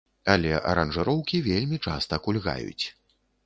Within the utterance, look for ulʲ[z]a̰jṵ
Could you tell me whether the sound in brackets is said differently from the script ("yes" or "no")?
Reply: yes